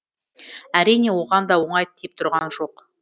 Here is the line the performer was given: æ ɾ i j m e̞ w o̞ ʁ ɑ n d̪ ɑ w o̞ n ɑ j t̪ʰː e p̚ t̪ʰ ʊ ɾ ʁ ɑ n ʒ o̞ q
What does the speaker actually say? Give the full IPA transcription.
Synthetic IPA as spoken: æ ɾ i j n e̞ w o̞ ʁ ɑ n d̪ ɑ w o̞ ɴ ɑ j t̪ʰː e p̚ t̪ʰ ʊ ɾ ʁ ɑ n ʒ o̞ q

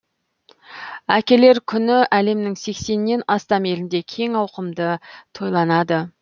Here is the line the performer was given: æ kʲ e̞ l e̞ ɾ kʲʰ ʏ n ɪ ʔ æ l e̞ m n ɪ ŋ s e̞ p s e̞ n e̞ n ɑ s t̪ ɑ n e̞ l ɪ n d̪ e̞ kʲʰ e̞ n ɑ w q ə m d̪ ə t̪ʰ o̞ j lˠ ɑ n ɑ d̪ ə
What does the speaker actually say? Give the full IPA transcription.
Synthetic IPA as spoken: æ kʲ e̞ l e̞ ɾ kʲʰ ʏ n ɪ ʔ æ l e̞ m n ɪ ŋ s e̞ k s e̞ nː e̞ n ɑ s t̪ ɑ m e̞ l ɪ n d̪ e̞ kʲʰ e̞ ŋ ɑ w q ə m d̪ ə t̪ʰ o̞ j lˠ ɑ n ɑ d̪ ə

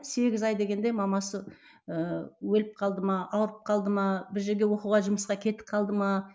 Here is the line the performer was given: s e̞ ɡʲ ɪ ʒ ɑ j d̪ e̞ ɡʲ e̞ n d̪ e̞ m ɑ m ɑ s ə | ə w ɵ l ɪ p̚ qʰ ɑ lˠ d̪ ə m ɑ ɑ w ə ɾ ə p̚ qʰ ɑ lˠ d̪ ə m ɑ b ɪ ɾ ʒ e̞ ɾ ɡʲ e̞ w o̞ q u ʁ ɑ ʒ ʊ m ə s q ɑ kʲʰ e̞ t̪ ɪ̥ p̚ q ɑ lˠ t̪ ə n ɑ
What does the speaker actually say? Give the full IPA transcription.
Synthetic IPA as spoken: s e̞ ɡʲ ɪ z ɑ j d̪ e̞ ɡʲ e̞ n d̪ e̞ m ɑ m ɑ s ə | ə w ɵ l ɪ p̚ qʰ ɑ lˠ d̪ ə m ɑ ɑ w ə ɾ ə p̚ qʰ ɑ lˠ d̪ ə m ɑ b ɪ ɾ ʒ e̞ ɾ ɡʲ e̞ w o̞ q u ʁ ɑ ʒ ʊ m ə s q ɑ kʲʰ e̞ t̪ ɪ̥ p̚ qʰ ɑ lˠ d̪ ə m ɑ

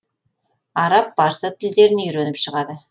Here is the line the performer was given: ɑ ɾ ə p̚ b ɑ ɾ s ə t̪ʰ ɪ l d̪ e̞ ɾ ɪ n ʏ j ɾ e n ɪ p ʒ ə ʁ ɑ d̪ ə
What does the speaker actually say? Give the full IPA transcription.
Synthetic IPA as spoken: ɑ ɾ ɑ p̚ b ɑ ɾ s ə t̪ʰ ɪ l d̪ e̞ ɾ ɪ n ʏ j ɾ e n ɪ p ʃ ə ʁ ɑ d̪ ə

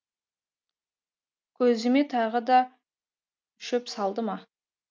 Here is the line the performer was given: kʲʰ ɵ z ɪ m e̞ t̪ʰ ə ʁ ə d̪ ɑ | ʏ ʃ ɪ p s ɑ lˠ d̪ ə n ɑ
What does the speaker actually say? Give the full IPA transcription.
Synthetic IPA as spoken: kʲʰ ɵ z ɪ m e̞ t̪ʰ ɑ ʁ ə d̪ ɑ | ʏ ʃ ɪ p s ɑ lˠ d̪ ə m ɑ

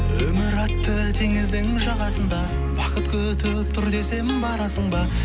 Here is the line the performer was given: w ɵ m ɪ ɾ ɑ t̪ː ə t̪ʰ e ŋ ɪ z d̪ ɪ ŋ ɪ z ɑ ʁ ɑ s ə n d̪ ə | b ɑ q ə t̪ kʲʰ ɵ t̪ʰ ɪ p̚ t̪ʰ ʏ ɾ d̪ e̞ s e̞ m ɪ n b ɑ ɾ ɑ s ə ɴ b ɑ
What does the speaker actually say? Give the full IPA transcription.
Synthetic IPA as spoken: w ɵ m ɪ ɾ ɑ t̪ː ə t̪ʰ e ŋ ɪ z d̪ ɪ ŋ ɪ ʒ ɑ ʁ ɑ s ə n d̪ ɑ | b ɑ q ə t̪ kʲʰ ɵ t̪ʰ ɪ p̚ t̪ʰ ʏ ɾ d̪ e̞ s e̞ m ɪ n b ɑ ɾ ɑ s ə ɴ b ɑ

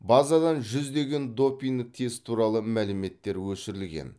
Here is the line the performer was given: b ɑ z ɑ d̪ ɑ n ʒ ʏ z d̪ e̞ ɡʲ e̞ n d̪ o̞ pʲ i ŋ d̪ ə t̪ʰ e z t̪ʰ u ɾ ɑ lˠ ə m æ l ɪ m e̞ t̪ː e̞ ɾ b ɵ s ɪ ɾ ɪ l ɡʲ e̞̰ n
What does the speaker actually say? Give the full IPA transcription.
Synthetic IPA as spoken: b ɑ z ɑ d̪ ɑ n ʒ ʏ z d̪ e̞ ɡʲ e̞ n d̪ o̞ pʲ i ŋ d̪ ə t̪ʰ e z t̪ʰ u ɾ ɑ lˠ ə m æ l ɪ m e̞ t̪ː e̞ ɾ w ɵ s ɪ ɾ ɪ l ɡʲ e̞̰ n

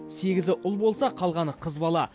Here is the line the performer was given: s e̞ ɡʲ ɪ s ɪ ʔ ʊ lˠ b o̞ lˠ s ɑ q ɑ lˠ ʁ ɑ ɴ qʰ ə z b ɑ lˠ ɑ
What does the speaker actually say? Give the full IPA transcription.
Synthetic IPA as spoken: s e̞ ɡʲ ɪ z ɪ ʔ ʊ lˠ b o̞ lˠ s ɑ qʰ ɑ lˠ ʁ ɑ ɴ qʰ ə z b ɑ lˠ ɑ

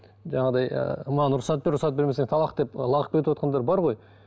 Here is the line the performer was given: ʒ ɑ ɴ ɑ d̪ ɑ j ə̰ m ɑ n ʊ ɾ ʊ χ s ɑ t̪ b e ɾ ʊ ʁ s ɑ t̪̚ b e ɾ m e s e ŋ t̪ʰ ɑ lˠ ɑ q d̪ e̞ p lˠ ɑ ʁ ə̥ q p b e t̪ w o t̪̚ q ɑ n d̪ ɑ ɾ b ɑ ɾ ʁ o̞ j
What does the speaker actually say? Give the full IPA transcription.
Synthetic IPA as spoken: ʒ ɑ ɴ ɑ d̪ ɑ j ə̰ m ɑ n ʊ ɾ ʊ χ s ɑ t̪ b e ɾ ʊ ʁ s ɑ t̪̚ b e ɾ m e s e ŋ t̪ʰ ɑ lˠ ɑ q d̪ e̞ p lˠ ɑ ʁ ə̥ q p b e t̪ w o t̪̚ q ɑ n d̪ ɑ ɾ b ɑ ɾ ʁ o̞ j

